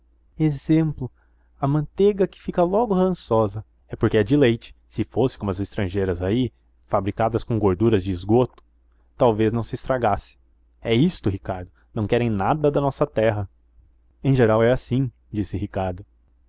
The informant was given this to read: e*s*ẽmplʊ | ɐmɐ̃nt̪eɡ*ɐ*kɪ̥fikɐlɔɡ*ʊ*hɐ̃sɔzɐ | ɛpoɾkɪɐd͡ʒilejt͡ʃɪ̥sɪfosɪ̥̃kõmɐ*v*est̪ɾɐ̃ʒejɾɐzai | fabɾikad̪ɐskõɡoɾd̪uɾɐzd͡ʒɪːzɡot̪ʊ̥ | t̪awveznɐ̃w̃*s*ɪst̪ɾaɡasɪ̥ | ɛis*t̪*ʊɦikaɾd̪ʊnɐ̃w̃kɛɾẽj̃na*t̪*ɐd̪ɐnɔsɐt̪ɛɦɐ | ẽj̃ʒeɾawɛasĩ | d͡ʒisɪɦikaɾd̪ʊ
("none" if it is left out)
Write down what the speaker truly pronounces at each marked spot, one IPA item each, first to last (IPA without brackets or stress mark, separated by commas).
z, ɐ, ʊ, z, s, t̪, d̪